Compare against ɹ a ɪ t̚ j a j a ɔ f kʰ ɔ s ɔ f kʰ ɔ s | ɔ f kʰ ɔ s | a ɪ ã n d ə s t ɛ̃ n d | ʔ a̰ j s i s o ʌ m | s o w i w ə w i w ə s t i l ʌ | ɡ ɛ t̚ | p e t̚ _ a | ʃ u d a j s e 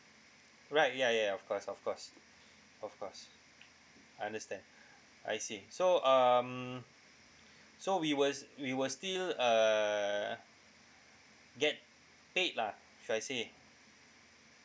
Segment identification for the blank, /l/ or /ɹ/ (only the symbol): l